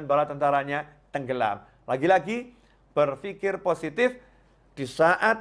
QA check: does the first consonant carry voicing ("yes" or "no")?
yes